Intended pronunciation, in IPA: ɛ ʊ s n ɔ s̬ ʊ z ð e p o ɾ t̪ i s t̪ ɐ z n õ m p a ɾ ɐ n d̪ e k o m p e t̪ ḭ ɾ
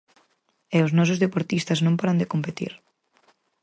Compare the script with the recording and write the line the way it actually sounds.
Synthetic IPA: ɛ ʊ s n ɔ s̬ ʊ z ð e p o ɾ t̪ i s t̪ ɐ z n õ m p a ɾ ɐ n d̪ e k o m p e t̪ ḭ ɾ